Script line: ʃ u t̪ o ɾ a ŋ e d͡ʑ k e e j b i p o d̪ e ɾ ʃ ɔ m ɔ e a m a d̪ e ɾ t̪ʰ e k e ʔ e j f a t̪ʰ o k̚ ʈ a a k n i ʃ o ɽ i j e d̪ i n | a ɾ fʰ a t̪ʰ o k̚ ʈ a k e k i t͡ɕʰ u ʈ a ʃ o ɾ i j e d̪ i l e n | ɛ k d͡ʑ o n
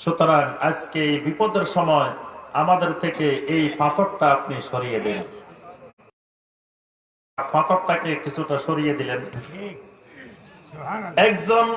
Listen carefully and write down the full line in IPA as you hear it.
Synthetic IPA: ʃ u t̪ o ɾ a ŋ a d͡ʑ k e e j b i p o d̪ e ɾ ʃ ɔ m ɔ e a m a d̪ e ɾ t̪ʰ e k e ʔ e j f a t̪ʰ o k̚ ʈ a a p n i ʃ o ɾ i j e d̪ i n | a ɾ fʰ a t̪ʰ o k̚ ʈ a k e k i t͡ɕʰ u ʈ a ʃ o ɾ i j e d̪ i l e n | ɛ k d͡ʑ o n